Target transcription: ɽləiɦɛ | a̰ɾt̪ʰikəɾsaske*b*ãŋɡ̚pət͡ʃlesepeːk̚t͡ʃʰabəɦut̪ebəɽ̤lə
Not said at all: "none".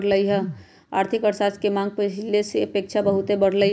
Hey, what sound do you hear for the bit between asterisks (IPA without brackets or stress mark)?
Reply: m